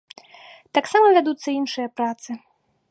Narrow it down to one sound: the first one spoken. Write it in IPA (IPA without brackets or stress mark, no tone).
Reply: t̪